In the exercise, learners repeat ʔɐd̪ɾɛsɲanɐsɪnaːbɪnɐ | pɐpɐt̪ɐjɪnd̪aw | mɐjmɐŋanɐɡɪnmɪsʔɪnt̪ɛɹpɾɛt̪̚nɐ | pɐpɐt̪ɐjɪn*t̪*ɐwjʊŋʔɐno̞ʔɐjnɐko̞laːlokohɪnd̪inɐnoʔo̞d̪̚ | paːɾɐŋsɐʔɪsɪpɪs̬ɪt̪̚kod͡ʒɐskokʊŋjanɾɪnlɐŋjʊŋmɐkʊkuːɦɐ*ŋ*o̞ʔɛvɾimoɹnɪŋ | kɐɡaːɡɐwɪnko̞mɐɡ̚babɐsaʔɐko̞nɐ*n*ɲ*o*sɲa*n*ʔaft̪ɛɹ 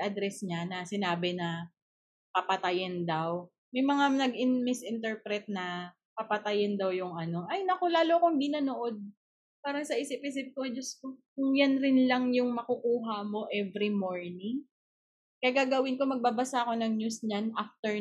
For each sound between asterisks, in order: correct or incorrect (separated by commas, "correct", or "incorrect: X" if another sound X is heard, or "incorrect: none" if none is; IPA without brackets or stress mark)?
incorrect: d̪, incorrect: m, incorrect: ŋ, incorrect: u, correct